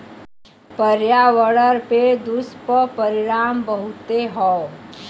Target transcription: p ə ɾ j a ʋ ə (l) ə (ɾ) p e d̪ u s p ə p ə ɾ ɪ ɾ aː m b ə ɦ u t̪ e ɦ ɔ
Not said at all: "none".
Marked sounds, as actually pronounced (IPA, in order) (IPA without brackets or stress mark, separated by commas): ɽ, ɾ